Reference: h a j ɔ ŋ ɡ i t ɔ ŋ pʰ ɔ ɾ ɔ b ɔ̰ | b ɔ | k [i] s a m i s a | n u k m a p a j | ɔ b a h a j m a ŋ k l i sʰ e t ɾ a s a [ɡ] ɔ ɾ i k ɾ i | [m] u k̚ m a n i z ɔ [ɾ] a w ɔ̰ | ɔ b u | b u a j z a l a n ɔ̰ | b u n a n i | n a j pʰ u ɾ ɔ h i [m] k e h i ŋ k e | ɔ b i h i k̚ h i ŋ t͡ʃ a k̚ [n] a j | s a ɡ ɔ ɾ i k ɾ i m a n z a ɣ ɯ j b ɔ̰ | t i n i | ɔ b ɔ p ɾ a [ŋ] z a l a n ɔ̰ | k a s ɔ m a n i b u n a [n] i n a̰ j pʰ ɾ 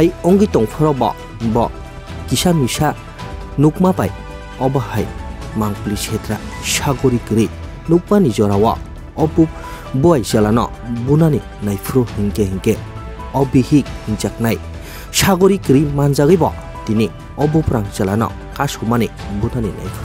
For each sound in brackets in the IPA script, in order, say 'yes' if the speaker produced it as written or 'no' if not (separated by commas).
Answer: yes, yes, no, yes, no, yes, yes, yes